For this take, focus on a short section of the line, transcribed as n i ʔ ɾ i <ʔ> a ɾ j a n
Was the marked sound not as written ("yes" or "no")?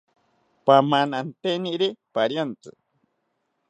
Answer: yes